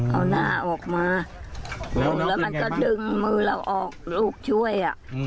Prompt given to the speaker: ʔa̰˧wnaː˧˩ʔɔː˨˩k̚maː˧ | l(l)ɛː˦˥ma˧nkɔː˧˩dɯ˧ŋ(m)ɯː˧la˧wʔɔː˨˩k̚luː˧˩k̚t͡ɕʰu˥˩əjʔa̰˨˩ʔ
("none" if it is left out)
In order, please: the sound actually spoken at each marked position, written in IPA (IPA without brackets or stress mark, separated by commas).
l, m